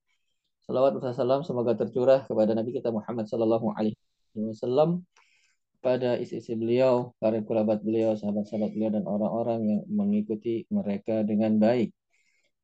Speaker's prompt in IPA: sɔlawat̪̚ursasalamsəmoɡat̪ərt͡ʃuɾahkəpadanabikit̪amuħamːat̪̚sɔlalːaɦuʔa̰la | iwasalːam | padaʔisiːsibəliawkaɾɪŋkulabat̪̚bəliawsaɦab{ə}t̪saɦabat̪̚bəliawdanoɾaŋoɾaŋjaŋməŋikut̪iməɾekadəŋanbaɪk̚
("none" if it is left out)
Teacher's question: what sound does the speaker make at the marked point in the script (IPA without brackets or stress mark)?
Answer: a